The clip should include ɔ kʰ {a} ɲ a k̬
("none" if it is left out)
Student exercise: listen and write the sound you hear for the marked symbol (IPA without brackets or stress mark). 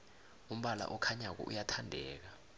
a